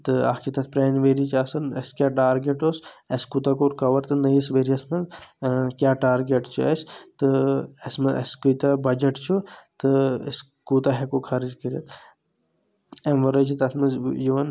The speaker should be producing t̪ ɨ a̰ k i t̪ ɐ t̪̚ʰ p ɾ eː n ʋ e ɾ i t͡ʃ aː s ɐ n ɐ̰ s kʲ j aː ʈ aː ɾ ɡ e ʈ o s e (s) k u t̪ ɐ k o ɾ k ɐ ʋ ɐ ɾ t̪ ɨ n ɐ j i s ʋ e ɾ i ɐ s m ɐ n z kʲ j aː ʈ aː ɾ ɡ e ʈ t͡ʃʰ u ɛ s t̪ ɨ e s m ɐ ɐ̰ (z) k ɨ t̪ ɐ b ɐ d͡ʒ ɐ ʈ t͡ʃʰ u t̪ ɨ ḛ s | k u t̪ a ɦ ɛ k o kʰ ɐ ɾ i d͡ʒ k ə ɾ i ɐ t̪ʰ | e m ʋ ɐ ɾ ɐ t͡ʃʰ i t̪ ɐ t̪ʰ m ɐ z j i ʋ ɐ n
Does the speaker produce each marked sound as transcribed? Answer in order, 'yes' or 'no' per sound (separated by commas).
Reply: yes, no